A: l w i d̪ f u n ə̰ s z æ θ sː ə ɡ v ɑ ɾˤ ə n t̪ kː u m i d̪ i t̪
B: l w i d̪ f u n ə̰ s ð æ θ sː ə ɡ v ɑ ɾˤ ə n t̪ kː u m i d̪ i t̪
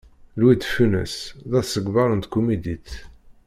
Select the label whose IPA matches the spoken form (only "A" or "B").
B